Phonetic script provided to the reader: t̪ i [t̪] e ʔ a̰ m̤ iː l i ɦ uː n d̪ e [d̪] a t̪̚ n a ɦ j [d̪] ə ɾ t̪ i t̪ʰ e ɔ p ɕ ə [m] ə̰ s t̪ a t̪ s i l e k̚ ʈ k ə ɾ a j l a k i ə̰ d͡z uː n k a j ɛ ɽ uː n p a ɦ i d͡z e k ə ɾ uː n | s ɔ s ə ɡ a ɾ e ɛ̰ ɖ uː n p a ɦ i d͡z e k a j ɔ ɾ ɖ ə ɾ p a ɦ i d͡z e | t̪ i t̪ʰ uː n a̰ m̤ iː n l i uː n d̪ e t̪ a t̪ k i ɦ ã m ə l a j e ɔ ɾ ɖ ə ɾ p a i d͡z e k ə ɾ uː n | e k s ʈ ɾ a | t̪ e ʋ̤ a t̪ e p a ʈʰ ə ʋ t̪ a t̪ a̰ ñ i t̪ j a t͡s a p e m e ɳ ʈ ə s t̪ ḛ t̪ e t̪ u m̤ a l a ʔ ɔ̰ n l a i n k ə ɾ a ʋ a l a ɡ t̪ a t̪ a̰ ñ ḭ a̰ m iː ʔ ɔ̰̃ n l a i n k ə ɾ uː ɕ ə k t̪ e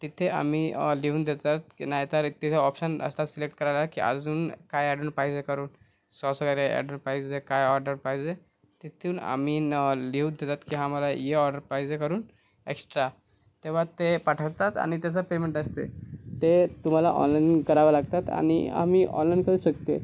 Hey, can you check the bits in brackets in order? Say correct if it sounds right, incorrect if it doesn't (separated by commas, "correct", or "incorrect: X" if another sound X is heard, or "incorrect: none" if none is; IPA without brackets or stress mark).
incorrect: t̪ʰ, incorrect: t̪, incorrect: t̪, incorrect: n